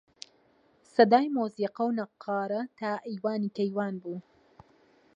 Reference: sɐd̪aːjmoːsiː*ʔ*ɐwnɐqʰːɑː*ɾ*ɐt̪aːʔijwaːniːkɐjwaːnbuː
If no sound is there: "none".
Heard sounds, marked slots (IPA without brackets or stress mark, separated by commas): q, ɾ